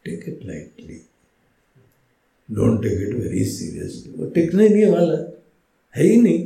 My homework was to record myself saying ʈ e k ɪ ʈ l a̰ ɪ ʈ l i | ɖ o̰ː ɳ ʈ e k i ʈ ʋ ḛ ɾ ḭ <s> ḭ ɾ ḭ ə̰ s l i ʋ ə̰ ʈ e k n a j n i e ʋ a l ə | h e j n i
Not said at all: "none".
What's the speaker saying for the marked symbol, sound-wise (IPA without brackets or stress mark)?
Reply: s